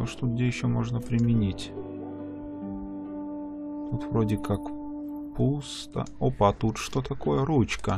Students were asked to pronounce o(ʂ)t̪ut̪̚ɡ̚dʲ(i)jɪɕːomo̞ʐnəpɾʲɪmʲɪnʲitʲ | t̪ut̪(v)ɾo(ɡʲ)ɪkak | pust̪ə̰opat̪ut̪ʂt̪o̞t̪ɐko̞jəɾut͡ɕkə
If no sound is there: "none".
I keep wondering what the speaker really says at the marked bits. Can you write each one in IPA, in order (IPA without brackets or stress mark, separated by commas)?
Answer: ʂ, e, v, dʲ